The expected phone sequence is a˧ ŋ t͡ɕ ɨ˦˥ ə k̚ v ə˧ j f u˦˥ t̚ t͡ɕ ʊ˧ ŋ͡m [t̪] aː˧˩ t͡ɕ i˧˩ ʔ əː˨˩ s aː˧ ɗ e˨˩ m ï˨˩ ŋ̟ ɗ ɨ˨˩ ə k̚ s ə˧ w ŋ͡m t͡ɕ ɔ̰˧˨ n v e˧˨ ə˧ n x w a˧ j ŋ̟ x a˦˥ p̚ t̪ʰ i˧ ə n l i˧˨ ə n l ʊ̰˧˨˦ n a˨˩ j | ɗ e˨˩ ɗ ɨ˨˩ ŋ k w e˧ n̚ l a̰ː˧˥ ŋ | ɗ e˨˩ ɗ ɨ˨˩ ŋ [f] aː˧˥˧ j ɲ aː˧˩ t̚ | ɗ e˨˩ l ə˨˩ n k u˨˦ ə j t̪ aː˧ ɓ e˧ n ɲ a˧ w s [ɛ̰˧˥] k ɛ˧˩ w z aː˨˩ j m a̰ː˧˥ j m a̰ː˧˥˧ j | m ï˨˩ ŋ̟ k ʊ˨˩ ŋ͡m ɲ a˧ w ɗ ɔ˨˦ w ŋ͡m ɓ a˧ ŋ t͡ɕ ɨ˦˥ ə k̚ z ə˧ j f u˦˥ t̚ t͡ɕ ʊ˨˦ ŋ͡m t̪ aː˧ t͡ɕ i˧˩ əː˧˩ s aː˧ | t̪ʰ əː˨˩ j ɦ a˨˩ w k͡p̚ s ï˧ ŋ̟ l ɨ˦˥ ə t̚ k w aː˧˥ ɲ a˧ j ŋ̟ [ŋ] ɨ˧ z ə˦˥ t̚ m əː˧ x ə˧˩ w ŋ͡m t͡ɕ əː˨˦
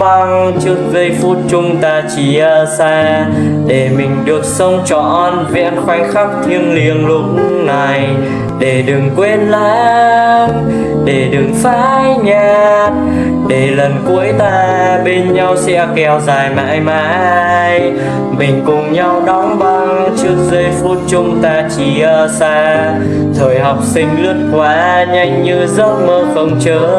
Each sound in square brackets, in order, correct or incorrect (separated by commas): correct, correct, correct, incorrect